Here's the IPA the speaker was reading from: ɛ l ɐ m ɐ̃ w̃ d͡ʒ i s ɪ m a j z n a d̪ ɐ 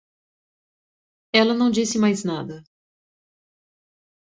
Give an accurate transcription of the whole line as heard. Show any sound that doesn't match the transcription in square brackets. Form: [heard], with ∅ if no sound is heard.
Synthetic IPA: ɛ l ɐ [n] ɐ̃ w̃ d͡ʒ i s ɪ m a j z n a d̪ ɐ